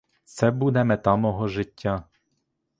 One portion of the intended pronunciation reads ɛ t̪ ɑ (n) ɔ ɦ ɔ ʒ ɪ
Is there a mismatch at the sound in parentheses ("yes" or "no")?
yes